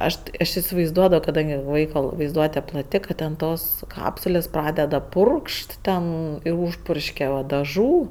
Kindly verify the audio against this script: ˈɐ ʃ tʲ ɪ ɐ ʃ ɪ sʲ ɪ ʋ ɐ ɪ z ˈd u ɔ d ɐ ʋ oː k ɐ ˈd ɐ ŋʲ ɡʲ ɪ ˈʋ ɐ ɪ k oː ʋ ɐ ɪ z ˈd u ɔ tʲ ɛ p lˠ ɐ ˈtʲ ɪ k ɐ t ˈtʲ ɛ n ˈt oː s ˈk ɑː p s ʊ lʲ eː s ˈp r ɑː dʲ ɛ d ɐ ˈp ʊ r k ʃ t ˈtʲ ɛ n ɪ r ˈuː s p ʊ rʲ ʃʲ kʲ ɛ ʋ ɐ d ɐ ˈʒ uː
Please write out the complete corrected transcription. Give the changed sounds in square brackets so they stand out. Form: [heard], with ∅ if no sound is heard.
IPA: ˈɐ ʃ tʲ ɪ ɐ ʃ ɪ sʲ ɪ ʋ ɐ ɪ z ˈd u ɔ d ɐ ʋ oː k ɐ ˈd ɐ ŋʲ ɡʲ ɪ ˈʋ ɐ ɪ k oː ʋ ɐ ɪ z ˈd u ɔ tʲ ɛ p lˠ ɐ ˈtʲ ɪ k ɐ t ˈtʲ ɛ n ˈt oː s ˈk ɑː p s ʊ lʲ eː s ˈp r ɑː dʲ ɛ d ɐ ˈp ʊ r k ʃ t ˈtʲ ɛ n ɪ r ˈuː [ʃ] p ʊ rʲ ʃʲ kʲ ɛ ʋ ɐ d ɐ ˈʒ uː